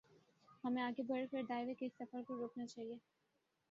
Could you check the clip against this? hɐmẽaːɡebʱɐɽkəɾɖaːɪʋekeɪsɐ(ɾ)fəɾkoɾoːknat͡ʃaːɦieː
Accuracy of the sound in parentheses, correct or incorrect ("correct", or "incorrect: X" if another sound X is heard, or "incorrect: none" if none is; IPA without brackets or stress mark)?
incorrect: none